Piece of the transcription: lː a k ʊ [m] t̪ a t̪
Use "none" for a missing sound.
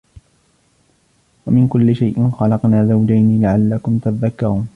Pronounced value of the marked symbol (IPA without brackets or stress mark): m